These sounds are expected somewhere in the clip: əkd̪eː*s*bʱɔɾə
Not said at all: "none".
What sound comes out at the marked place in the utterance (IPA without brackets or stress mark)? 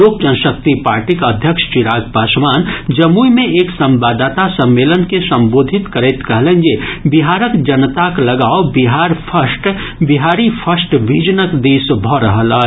s